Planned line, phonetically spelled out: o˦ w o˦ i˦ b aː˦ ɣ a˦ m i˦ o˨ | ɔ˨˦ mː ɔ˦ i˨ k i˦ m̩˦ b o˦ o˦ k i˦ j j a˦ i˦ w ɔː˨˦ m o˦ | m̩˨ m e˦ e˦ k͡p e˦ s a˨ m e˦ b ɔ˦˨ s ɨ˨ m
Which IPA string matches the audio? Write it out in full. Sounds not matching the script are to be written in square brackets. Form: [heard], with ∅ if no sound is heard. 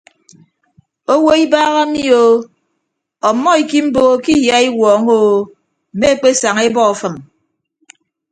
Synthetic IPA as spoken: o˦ w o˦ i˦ b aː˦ ɣ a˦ m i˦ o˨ | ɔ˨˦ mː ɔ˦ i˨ k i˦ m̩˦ b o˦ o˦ k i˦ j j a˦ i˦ w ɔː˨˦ [ŋ] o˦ | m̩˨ m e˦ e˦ k͡p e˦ s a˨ [ŋ] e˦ b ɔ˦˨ [f] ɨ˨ m